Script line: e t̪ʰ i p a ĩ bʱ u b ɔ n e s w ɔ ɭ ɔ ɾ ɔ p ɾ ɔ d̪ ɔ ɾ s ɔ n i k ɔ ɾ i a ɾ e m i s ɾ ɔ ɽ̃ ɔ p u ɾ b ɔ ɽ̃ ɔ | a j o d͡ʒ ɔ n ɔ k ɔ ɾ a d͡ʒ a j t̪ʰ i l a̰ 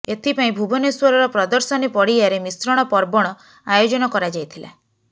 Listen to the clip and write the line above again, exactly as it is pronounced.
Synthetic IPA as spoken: e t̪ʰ i p a ĩ bʱ u b ɔ n e s w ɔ ɾ ɔ ɾ ɔ p ɾ ɔ d̪ ɔ ɾ s ɔ n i p ɔ ɽ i a ɾ e m i s ɾ ɔ ɽ̃ ɔ p ɔ ɾ b ɔ ɽ̃ ɔ | a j o d͡ʒ ɔ n ɔ k ɔ ɾ a d͡ʒ a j t̪ʰ i l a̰